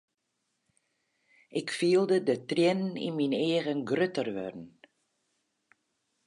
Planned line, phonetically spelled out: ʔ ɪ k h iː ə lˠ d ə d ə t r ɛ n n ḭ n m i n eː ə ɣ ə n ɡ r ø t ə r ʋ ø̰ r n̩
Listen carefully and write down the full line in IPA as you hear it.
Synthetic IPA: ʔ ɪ k f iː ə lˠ d ə d ə t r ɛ n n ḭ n m i n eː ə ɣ ə n ɡ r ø t ə r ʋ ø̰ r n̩